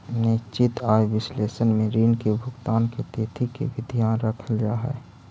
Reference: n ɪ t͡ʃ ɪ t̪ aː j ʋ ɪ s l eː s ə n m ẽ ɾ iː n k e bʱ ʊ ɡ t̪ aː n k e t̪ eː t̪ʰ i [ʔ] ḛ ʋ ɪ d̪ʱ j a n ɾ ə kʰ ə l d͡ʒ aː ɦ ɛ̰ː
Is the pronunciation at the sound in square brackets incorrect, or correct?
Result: incorrect